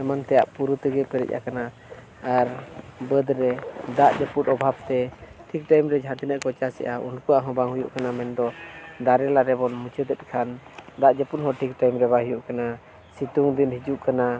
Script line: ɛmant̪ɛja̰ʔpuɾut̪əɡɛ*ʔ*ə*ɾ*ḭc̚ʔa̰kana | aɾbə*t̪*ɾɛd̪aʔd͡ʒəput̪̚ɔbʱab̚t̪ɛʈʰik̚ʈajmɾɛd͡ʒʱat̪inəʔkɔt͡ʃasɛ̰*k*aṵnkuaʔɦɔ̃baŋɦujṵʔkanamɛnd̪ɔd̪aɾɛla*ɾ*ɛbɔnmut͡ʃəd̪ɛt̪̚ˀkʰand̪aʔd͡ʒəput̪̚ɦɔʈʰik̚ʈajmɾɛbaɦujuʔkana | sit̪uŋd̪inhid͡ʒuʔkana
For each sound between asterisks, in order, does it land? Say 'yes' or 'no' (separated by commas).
no, yes, no, no, yes